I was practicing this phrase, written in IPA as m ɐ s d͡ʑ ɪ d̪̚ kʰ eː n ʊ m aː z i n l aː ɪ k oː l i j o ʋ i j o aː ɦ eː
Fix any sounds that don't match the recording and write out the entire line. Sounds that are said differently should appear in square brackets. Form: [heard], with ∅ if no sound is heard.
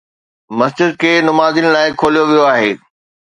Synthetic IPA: m ɐ s d͡ʑ ɪ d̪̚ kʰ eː n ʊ m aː z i n l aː ɪ [kʰ] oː l i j o ʋ i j o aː ɦ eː